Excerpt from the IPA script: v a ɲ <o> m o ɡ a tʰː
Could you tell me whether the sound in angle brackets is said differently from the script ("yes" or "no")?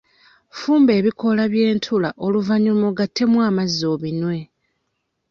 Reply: yes